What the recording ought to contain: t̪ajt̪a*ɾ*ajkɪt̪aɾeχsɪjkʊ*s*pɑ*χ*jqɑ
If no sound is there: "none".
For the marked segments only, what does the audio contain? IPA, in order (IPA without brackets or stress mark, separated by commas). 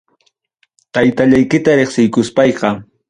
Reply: ʎ, s, none